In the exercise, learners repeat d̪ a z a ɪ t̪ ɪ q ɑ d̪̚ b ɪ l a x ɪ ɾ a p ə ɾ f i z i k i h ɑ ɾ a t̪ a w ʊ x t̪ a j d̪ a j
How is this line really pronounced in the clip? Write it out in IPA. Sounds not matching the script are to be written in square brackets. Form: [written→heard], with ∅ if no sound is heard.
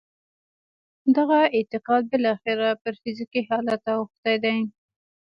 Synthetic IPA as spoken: d̪ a [z→ɣ] a ɪ t̪ ɪ q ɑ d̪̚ b ɪ l [a→ɑ] x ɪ ɾ a p ə ɾ f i z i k i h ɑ [ɾ→l] a t̪ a w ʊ x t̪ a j d̪ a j